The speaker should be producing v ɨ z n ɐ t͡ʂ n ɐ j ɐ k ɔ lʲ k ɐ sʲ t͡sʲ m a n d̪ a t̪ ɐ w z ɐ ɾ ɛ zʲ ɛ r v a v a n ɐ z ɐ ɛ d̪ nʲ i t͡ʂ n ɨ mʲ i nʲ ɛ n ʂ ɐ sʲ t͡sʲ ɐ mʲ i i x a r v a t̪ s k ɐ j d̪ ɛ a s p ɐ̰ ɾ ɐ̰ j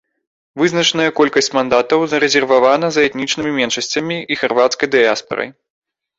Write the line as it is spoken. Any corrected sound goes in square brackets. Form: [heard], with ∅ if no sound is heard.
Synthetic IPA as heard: v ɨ z n ɐ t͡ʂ n ɐ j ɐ k ɔ lʲ k ɐ sʲ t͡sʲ m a n d̪ a t̪ ɐ w z ɐ ɾ ɛ zʲ ɛ r v a v a n ɐ z ɐ ɛ [t̪] nʲ i t͡ʂ n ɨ mʲ i [mʲ] ɛ n ʂ ɐ sʲ t͡sʲ ɐ mʲ i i x a r v a t̪ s k ɐ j d̪ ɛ a s p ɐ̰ ɾ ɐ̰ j